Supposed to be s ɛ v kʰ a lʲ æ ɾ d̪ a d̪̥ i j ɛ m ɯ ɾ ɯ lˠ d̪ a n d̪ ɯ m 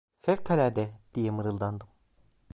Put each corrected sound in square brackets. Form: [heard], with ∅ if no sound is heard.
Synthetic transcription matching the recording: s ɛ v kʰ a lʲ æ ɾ d̪ [ɛ] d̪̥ i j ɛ m ɯ ɾ ɯ lˠ d̪ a n d̪ ɯ m